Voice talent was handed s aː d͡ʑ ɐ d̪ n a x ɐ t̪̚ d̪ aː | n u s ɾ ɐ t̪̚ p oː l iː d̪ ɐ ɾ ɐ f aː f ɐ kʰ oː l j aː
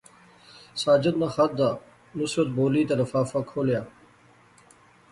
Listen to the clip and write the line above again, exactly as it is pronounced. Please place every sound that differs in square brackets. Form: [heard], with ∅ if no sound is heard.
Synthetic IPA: s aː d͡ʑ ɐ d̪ n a x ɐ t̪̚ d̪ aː | n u s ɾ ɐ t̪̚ [b] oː l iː [t̪] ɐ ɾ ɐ f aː f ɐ kʰ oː l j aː